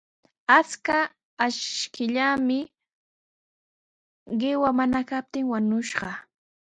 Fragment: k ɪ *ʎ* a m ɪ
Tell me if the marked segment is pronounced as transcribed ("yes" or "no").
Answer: yes